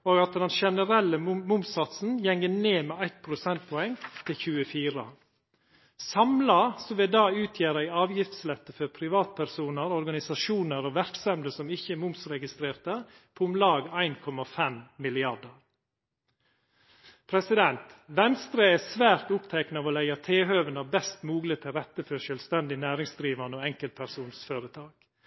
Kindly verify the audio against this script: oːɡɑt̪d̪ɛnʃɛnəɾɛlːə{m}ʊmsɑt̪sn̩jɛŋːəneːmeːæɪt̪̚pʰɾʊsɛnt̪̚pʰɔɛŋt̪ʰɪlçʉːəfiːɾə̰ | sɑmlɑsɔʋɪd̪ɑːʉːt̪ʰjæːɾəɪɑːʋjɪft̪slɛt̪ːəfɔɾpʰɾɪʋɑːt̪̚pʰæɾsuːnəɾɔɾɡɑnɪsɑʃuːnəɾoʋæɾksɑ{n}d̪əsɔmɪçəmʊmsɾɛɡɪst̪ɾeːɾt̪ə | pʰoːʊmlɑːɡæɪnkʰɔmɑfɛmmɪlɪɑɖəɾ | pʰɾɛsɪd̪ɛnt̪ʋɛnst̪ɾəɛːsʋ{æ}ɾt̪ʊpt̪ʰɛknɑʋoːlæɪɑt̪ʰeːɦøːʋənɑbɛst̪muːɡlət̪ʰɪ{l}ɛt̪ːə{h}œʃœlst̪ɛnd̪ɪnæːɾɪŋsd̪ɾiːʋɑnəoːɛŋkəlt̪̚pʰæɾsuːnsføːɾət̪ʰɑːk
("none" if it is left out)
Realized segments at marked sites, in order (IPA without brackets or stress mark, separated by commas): m, m, æː, ɾ, f